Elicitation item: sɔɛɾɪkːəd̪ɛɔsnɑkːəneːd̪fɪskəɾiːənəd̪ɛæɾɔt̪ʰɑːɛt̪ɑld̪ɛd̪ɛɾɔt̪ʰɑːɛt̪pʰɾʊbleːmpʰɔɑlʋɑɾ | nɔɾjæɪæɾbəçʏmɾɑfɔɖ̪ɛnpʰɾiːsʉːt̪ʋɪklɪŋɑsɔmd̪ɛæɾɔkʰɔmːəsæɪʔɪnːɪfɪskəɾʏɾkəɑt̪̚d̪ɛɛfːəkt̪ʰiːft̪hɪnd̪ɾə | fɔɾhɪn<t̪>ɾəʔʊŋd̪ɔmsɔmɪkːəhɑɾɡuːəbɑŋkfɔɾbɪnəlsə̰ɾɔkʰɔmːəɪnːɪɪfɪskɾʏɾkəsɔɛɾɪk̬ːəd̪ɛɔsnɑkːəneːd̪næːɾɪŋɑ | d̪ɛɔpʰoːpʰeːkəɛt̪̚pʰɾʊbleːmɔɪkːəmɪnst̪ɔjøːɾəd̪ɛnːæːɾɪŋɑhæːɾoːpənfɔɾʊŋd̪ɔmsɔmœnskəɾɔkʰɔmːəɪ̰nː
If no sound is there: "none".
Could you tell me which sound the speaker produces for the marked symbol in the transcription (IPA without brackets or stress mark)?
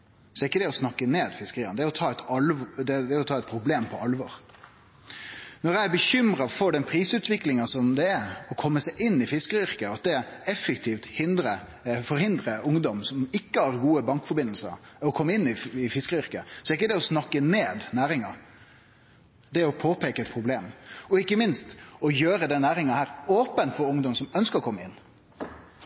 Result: d̪